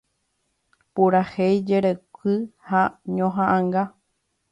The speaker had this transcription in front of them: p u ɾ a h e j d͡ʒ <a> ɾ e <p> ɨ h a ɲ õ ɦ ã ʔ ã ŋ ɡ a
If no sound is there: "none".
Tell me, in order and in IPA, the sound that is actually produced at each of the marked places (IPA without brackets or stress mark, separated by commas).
e, k